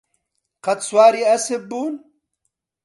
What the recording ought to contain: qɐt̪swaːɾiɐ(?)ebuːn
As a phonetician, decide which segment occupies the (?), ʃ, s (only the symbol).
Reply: s